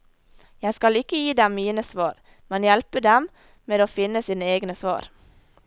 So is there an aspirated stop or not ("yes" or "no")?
no